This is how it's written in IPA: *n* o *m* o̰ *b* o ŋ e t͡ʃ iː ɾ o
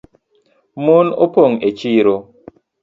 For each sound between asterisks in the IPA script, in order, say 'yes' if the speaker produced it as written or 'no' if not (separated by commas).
no, no, no